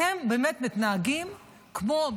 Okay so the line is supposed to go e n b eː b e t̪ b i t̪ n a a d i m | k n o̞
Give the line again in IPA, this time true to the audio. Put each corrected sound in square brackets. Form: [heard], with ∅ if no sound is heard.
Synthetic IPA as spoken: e [m] b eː [m] e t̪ [m] i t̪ n a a [ɡ] i m | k [m] o̞

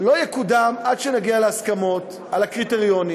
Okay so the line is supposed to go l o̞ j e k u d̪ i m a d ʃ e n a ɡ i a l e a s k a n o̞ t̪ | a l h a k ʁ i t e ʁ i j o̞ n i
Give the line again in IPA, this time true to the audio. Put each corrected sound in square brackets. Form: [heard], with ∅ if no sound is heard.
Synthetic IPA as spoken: l o̞ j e k u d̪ [a] m a d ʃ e n a ɡ i a l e a s k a [m] o̞ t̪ | a l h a k ʁ i t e ʁ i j o̞ n i

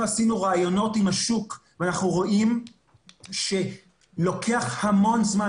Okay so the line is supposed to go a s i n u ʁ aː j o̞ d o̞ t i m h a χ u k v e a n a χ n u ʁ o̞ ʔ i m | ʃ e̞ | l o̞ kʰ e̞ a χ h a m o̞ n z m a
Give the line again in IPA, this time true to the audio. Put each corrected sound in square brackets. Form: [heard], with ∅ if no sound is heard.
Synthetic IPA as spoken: a s i n u ʁ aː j o̞ [n] o̞ t i m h a [ʃ] u k v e a n a χ n u ʁ o̞ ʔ i m | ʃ e̞ | l o̞ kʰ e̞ a χ h a m o̞ n z m a

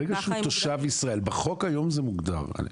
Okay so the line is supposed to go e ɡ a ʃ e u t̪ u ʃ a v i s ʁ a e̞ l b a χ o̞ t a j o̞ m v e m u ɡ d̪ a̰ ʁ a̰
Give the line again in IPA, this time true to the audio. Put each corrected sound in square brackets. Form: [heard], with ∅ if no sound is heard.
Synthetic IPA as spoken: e ɡ a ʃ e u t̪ [o] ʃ a v i s ʁ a e̞ l b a χ o̞ [k] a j o̞ m [z] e m u ɡ d̪ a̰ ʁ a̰

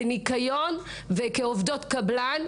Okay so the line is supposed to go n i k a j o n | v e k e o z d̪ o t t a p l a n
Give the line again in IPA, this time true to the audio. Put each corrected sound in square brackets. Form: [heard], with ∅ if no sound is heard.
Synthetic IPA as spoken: n i k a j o n | v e k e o [v] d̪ o t [k] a [b] l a n

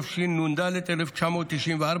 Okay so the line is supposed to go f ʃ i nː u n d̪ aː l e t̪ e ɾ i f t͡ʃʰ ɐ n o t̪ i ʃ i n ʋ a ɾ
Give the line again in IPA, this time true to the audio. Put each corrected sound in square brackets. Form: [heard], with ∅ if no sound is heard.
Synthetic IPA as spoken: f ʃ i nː u n d̪ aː l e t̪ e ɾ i f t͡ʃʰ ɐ [m] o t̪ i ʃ i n ʋ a ɾ

